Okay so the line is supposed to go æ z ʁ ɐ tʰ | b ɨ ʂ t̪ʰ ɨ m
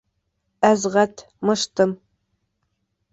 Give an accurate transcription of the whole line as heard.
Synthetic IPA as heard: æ z ʁ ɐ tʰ | m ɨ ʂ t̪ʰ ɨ m